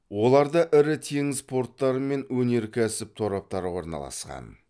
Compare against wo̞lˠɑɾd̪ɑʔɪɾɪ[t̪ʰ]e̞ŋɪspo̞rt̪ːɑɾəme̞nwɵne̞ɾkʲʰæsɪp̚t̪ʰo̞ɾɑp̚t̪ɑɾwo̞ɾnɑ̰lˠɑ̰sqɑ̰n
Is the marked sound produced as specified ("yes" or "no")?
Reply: yes